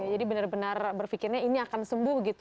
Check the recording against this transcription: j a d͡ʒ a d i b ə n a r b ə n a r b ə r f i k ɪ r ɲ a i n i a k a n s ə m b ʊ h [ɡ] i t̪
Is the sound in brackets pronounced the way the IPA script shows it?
yes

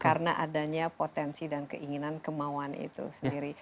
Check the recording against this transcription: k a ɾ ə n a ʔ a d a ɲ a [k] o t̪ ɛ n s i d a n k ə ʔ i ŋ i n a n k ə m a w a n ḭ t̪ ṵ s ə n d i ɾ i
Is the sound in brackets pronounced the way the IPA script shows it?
no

